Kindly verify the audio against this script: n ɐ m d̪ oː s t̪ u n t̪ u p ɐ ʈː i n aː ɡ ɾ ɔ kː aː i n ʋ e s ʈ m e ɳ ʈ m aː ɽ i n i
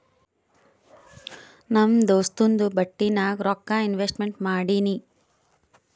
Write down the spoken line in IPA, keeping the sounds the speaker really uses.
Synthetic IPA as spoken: n ɐ m d̪ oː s t̪ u n d̪ u b ɐ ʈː i n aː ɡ ɾ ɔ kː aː i n ʋ e s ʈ m e ɳ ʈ m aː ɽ i n i